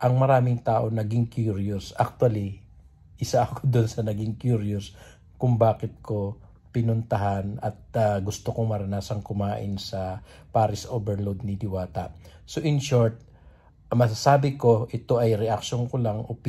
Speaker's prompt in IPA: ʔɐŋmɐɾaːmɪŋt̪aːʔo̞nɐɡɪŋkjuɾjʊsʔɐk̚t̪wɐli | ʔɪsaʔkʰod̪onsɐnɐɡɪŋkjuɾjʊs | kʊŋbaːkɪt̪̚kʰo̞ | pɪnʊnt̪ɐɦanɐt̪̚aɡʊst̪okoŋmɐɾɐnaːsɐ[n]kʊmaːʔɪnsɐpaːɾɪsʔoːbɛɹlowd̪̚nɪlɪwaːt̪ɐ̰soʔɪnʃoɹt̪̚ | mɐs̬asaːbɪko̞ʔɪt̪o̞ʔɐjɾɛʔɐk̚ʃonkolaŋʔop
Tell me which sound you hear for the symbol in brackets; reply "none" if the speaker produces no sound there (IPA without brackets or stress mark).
ŋ